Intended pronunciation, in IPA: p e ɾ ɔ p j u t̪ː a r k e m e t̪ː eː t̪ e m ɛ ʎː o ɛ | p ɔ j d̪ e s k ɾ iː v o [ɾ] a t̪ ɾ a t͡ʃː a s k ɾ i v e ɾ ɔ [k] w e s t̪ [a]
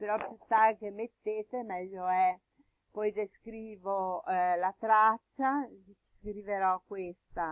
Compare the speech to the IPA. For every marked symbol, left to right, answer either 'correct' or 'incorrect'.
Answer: incorrect, correct, correct

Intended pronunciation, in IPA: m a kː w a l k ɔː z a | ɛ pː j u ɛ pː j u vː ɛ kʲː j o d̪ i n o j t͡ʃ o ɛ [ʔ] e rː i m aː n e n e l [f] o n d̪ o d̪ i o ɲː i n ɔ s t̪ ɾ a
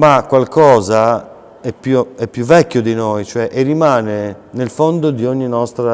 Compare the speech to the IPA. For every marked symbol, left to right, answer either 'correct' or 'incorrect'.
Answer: correct, correct

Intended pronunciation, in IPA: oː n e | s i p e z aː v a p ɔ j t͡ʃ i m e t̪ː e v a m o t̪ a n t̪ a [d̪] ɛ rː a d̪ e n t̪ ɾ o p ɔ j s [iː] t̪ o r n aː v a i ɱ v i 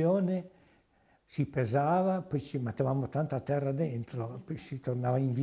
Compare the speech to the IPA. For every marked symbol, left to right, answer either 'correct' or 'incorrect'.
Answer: incorrect, incorrect

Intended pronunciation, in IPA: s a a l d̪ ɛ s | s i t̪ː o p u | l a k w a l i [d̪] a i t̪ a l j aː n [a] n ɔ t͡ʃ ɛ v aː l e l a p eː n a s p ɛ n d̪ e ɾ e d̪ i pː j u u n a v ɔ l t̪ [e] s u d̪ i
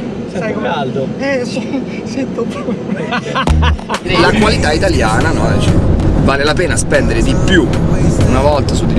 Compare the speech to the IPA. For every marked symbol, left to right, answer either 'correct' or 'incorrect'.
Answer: incorrect, correct, incorrect

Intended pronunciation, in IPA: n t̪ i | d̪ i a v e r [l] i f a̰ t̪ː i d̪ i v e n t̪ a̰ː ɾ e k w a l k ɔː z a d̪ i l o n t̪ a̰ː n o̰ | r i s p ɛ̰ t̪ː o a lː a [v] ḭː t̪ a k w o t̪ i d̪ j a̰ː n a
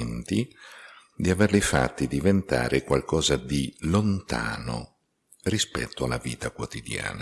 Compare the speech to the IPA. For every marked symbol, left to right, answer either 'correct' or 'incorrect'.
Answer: correct, correct

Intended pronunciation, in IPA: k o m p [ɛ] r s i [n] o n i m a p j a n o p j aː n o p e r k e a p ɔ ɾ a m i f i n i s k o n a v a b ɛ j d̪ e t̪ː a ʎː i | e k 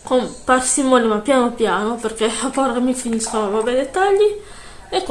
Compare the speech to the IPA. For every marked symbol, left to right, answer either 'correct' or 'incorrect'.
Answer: incorrect, incorrect

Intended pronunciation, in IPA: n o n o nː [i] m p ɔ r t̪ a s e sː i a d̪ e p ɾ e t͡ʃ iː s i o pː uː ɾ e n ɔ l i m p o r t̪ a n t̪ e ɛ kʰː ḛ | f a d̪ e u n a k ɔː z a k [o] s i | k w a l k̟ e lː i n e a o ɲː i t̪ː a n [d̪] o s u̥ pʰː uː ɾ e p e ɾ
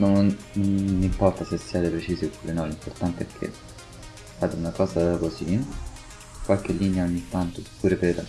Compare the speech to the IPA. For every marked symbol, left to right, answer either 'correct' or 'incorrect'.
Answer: correct, correct, incorrect

